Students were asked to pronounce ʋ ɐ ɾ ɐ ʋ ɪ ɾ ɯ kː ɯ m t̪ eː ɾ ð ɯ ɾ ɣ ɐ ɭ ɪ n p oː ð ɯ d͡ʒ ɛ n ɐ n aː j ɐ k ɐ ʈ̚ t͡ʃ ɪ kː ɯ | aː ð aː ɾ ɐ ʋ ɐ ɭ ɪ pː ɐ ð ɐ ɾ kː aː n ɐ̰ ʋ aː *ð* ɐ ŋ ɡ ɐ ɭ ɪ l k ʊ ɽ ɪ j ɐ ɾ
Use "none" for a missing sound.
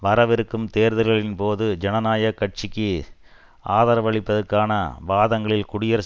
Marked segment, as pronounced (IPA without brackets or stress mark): ð